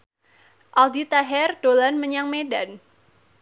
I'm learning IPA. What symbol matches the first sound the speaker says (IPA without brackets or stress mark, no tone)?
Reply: ʔ